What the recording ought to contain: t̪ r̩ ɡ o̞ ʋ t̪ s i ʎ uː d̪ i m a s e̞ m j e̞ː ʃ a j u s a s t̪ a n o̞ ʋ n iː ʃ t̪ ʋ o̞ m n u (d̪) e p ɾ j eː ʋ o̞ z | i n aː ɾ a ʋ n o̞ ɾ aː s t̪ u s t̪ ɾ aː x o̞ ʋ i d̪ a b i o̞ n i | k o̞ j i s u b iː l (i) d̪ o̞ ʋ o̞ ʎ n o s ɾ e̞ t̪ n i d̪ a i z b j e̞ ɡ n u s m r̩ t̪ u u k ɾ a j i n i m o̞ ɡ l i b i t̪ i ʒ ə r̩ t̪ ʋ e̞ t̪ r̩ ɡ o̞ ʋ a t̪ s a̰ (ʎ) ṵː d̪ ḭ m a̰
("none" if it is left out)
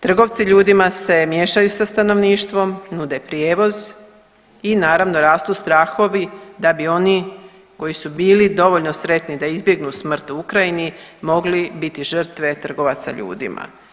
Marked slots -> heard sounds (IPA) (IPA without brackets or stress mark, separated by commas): d̪, i, ʎ